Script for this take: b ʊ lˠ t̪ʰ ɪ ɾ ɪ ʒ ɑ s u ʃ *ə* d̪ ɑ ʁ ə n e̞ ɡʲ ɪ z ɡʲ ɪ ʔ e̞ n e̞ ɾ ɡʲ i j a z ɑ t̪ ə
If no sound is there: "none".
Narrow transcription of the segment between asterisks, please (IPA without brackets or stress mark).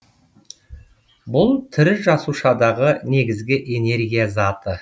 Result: ɑ